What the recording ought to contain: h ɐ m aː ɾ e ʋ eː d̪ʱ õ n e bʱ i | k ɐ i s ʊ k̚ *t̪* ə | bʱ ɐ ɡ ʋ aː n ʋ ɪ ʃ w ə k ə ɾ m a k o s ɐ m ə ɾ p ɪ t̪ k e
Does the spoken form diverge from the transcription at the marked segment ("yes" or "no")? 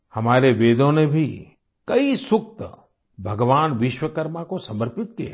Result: no